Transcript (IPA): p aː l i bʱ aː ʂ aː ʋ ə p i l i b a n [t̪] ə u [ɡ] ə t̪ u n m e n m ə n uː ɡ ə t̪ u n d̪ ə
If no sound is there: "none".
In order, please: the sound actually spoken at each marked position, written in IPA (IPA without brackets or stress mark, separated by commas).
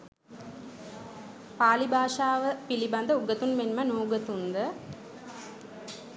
d̪, ɡ